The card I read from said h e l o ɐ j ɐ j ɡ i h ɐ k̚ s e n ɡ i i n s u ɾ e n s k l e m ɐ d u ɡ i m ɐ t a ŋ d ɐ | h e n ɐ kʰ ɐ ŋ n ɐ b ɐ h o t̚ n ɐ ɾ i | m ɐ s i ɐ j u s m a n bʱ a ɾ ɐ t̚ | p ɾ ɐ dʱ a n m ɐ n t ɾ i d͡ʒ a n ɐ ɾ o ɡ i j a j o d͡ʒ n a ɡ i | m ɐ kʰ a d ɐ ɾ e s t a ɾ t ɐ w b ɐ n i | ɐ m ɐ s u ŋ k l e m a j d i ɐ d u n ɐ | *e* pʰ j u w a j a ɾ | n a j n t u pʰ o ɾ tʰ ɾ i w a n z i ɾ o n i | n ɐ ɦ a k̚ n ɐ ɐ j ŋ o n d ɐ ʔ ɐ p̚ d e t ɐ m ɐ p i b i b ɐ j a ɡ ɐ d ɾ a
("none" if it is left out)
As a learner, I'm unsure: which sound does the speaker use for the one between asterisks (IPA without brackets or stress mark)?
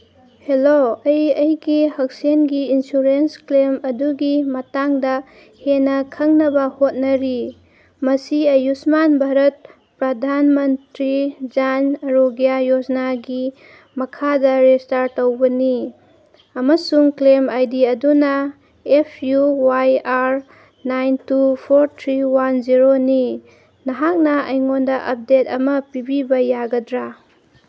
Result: e